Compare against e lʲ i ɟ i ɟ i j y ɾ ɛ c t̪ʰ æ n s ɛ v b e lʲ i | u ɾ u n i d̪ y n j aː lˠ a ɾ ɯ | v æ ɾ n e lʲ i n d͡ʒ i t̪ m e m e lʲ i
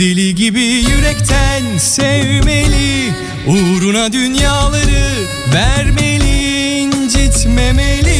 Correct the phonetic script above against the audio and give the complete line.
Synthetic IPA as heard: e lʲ i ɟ i b i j y ɾ ɛ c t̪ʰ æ n s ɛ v m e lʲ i | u ɾ u n a d̪ y n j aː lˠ a ɾ ɯ | v æ ɾ m e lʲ i n d͡ʒ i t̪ m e m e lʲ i